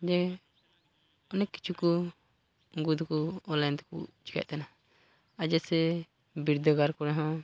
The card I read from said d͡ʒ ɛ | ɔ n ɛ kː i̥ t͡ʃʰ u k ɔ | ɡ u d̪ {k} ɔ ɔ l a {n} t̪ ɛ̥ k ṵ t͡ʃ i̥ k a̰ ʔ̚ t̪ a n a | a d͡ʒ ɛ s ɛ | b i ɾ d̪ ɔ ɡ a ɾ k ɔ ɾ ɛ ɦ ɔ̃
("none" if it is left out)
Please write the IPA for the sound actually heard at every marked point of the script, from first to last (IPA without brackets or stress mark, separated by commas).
k, n